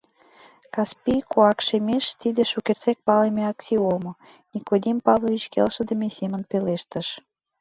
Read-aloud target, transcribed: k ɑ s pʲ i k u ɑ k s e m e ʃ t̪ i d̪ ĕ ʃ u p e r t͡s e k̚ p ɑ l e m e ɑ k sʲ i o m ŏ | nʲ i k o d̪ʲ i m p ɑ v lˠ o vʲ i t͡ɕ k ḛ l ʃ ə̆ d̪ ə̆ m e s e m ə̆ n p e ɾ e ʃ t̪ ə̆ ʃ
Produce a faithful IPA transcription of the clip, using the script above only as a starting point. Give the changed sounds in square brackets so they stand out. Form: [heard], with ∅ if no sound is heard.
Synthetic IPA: k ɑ s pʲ i k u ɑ k [ʃ] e m e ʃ t̪ i d̪ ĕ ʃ u [k] e r t͡s e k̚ p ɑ l e m e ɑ k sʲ i o m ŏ | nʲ i k o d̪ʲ i m p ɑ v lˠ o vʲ i t͡ɕ k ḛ l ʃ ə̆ d̪ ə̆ m e s e m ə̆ n p e [l] e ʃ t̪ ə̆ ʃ